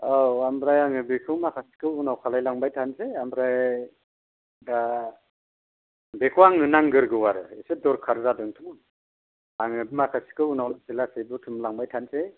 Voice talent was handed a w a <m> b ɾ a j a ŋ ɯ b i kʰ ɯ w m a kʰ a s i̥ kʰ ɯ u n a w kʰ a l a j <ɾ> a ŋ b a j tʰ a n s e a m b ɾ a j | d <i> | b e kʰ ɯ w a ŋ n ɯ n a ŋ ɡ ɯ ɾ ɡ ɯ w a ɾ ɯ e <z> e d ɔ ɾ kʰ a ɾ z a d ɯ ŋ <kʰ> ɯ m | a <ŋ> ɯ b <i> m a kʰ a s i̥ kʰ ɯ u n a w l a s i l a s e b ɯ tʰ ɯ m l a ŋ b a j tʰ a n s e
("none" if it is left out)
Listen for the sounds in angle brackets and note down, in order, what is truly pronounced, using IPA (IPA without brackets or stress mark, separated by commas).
m, l, a, s, tʰ, ŋ, i